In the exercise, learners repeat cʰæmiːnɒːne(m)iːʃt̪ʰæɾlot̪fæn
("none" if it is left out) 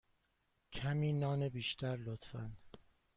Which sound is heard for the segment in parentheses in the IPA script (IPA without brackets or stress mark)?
b